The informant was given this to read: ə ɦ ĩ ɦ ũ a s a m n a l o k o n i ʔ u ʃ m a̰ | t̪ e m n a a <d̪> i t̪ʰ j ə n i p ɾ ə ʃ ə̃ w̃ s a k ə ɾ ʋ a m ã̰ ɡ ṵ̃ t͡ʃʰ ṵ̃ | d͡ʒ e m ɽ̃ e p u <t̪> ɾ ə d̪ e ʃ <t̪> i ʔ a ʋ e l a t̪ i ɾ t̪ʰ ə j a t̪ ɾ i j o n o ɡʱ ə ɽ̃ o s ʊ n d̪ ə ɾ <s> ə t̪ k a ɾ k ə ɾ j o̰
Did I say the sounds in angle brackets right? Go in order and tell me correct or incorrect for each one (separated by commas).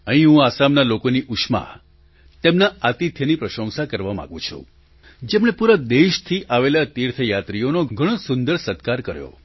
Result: incorrect, incorrect, incorrect, correct